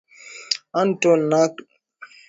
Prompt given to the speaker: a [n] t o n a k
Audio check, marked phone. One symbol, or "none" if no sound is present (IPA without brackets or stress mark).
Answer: n